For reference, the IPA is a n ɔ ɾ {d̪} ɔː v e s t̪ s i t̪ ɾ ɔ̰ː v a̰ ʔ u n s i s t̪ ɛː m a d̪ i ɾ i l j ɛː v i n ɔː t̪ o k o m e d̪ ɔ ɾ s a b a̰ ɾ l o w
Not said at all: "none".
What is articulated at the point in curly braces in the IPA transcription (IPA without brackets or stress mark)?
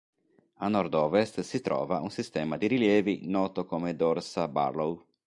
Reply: d̪